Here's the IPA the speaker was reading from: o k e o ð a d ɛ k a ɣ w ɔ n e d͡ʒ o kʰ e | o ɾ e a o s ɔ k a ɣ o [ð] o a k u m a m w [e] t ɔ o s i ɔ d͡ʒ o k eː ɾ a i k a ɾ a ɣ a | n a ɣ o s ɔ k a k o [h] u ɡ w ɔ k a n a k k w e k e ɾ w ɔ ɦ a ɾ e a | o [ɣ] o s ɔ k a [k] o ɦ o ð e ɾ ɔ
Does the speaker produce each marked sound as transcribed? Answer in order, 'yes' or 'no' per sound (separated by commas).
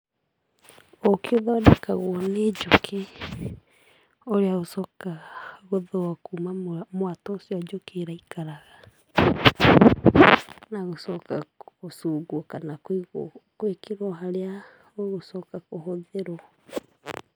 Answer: yes, no, no, yes, yes